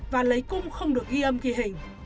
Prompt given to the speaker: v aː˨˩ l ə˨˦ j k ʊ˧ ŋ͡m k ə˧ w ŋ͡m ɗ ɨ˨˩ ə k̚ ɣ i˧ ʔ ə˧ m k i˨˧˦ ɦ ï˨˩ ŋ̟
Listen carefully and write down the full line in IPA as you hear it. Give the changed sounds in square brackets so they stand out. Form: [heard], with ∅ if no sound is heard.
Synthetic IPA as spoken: v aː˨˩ l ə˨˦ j k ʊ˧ ŋ͡m [x] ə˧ w ŋ͡m ɗ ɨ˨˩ ə k̚ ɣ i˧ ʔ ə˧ m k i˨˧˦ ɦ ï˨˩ ŋ̟